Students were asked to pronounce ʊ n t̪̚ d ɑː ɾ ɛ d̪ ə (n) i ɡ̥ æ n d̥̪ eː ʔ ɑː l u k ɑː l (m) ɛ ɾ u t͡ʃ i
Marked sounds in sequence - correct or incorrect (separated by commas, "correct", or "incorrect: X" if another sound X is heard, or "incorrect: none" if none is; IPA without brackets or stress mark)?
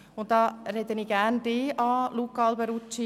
correct, incorrect: b